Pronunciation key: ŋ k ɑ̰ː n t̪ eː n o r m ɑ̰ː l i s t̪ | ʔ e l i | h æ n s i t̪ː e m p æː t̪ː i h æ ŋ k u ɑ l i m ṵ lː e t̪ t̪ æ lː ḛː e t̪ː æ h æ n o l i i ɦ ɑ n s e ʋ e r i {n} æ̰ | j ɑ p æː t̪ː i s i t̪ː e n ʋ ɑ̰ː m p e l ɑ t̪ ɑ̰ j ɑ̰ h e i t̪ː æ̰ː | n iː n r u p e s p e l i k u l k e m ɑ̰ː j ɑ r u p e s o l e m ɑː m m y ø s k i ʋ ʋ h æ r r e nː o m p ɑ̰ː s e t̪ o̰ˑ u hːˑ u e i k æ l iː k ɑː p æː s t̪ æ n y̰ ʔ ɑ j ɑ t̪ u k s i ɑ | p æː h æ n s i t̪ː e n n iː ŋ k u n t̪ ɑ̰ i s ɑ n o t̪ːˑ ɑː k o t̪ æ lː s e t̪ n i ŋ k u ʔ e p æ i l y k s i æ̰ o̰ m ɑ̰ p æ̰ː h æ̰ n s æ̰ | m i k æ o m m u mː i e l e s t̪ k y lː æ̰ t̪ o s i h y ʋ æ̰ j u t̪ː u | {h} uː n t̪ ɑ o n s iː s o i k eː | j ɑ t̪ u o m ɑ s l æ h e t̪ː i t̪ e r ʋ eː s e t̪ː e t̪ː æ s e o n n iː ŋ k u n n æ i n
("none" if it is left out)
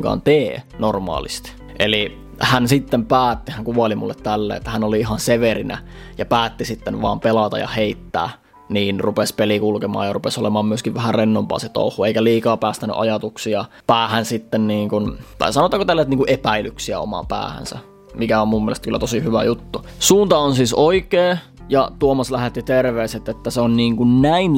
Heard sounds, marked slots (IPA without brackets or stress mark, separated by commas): n, s